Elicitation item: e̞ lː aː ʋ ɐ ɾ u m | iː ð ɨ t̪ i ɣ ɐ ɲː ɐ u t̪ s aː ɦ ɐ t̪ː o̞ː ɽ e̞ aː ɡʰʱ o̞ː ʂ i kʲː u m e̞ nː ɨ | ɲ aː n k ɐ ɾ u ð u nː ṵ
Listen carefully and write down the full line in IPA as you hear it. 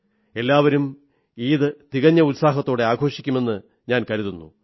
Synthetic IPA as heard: e̞ lː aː ʋ ɐ ɾ u m | iː ð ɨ t̪ i ɣ ɐ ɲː ɐ u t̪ s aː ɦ ɐ t̪ː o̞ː ɽ e̞ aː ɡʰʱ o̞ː ʂ i kʲː u m e̞ nː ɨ | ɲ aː n k ɐ ɾ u ð u nː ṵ